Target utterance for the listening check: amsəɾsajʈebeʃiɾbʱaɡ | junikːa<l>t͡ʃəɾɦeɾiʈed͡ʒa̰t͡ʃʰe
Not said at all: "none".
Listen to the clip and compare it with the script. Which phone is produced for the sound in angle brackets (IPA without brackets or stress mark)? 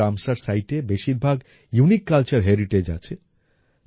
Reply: l